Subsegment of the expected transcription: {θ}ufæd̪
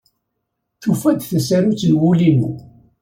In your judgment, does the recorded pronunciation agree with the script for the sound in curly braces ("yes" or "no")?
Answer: yes